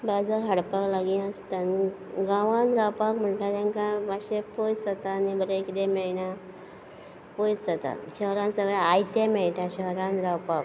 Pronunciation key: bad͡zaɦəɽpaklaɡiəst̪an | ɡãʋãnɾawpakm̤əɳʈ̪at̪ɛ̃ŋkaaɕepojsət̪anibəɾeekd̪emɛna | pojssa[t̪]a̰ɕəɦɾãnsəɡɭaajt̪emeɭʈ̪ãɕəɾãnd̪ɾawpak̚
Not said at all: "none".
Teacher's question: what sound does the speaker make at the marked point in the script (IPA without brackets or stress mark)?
t̪